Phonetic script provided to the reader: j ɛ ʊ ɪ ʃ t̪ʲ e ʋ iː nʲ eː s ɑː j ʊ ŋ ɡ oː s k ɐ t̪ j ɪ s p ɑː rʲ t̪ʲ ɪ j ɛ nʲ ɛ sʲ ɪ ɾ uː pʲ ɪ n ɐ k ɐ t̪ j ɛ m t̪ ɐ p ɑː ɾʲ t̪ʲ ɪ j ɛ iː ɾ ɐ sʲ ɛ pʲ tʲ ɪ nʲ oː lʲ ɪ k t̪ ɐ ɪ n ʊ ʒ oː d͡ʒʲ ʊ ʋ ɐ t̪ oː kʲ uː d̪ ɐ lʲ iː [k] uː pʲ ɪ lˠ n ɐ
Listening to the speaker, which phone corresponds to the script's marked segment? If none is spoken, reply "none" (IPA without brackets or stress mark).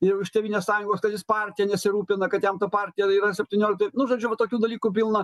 k